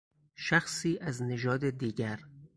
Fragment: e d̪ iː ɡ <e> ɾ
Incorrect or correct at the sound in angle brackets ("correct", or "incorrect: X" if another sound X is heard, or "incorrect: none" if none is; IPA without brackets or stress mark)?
incorrect: æ